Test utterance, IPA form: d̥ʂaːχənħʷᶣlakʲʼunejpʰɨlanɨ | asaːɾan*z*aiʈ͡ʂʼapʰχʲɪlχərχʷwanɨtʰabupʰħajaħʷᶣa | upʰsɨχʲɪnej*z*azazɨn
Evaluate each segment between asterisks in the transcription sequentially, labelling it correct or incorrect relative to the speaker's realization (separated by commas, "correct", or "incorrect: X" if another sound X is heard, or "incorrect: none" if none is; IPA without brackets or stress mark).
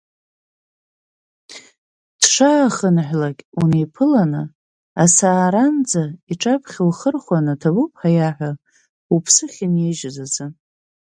incorrect: d͡z, incorrect: ʒ